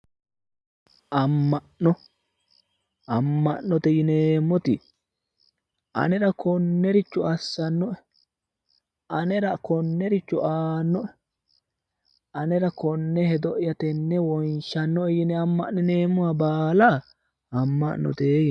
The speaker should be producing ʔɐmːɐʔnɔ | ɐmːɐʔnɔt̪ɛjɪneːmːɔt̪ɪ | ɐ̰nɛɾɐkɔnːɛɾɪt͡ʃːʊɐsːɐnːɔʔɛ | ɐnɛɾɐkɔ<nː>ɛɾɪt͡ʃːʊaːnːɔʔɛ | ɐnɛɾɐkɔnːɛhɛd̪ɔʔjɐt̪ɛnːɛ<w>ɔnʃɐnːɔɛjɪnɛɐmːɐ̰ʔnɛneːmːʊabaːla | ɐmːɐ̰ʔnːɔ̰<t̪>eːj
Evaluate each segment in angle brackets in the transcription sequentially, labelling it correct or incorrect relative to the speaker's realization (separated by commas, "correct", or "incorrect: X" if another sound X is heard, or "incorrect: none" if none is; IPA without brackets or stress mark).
correct, correct, correct